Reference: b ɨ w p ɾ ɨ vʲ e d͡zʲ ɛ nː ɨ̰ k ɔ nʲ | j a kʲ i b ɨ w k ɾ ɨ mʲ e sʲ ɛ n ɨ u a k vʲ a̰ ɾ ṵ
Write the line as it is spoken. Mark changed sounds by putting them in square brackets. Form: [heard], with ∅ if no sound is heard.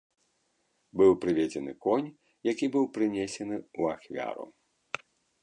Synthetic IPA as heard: b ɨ w p ɾ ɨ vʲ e d͡zʲ ɛ [n] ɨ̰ k ɔ nʲ | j a kʲ i b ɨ w [p] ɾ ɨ [nʲ] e sʲ ɛ n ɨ u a [x] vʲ a̰ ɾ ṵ